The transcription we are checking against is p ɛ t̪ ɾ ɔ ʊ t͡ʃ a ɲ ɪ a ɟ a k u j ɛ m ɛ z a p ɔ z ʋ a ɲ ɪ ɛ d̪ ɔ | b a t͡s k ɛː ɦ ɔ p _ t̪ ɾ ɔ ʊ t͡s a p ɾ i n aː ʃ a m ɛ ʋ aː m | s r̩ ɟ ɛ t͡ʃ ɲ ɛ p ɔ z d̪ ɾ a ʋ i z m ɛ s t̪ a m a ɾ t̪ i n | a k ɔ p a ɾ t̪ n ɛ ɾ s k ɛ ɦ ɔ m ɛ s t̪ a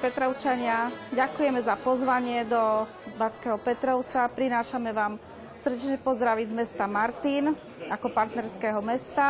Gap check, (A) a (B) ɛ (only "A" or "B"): B